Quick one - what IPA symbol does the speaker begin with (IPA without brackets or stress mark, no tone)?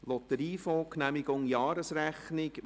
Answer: l